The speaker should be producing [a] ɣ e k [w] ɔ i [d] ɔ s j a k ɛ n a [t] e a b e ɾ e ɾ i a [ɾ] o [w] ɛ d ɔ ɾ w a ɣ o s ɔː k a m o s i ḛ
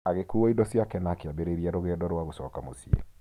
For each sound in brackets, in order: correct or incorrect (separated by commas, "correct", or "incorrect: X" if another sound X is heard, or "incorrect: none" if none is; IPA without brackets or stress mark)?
correct, incorrect: u, correct, incorrect: k, correct, incorrect: ɣ